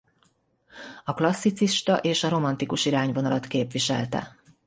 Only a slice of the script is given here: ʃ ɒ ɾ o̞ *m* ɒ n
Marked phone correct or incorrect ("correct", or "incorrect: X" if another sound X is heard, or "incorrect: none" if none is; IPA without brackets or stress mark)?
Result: correct